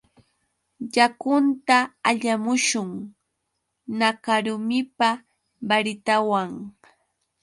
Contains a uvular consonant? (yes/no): no